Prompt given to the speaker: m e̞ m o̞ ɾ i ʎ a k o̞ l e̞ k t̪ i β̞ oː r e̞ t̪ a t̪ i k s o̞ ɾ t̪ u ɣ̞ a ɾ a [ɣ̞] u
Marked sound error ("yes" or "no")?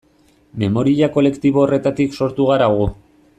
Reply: no